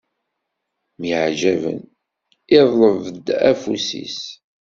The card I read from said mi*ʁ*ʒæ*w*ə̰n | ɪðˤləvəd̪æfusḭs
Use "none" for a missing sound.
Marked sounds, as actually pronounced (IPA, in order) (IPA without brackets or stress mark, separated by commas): ʕ, v